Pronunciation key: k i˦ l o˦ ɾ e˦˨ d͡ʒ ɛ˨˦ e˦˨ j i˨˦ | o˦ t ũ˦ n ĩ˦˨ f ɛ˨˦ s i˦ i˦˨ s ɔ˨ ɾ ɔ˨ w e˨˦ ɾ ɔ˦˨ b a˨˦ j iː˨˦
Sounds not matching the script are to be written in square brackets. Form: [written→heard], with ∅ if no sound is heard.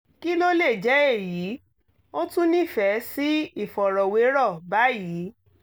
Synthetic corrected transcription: k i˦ l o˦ [ɾ→l] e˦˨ d͡ʒ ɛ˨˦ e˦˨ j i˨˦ | o˦ t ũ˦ n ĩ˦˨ f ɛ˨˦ s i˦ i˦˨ [s→f] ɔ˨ ɾ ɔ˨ w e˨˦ ɾ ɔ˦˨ b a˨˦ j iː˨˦